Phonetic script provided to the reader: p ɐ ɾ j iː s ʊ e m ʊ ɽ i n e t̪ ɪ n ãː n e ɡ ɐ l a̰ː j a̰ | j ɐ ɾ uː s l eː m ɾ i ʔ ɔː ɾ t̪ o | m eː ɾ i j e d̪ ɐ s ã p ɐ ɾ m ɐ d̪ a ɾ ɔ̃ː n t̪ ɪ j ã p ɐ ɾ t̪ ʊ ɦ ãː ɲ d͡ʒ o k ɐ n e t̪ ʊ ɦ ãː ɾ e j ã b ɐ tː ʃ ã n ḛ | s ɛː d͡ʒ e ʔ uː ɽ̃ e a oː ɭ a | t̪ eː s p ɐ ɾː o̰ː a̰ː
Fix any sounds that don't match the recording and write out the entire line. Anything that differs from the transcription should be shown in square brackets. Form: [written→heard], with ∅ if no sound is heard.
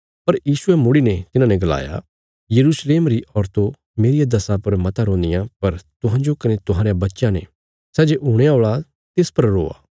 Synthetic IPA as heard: p ɐ ɾ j iː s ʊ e m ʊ ɽ i n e t̪ ɪ n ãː n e ɡ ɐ l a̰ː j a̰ | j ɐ ɾ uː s l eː m ɾ i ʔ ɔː ɾ t̪ o | m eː ɾ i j [e→a] d̪ ɐ s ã p ɐ ɾ m ɐ [d̪→t̪] a ɾ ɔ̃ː n [t̪→d̪] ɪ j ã p ɐ ɾ t̪ ʊ ɦ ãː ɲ d͡ʒ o k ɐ n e t̪ ʊ ɦ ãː ɾ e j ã b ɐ tː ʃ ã n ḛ | s ɛː d͡ʒ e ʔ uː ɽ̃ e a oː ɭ a | t̪ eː s p ɐ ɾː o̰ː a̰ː